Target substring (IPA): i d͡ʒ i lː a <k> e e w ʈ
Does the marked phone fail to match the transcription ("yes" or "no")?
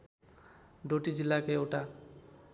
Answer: no